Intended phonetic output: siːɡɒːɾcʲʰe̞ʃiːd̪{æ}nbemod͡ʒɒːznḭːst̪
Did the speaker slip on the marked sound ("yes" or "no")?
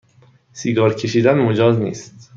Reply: no